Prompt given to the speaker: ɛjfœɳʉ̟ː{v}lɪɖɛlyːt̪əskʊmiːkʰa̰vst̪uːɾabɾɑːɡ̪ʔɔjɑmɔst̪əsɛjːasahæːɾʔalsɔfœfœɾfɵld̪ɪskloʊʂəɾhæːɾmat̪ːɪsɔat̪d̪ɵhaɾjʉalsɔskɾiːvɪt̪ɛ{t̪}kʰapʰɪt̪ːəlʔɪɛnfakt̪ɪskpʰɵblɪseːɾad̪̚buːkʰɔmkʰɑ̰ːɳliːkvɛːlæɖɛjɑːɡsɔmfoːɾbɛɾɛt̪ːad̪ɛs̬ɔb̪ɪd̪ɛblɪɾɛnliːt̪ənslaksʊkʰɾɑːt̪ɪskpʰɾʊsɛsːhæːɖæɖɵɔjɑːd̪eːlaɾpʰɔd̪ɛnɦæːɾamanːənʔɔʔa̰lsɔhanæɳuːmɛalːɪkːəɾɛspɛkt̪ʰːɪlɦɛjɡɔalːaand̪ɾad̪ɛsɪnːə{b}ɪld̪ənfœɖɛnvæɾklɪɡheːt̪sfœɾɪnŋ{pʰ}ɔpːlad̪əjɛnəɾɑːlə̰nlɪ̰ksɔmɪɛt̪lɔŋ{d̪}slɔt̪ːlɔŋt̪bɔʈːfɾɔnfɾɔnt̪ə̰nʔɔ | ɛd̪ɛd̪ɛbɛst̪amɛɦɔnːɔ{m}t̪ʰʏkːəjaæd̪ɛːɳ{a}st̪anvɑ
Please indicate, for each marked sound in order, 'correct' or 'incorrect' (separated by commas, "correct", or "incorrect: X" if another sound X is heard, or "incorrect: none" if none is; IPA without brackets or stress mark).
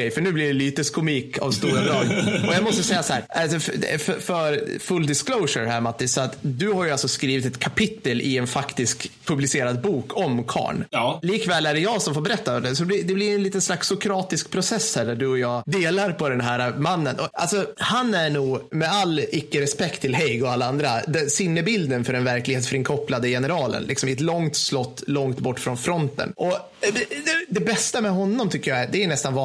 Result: incorrect: b, correct, correct, incorrect: kʰ, incorrect: t̪, correct, incorrect: ɛ